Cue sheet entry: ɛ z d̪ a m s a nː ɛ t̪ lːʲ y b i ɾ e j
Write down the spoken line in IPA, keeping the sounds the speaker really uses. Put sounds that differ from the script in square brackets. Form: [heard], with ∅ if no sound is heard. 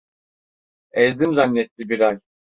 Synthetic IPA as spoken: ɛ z d̪ [i] m [z] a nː ɛ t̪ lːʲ [i] b i ɾ [a] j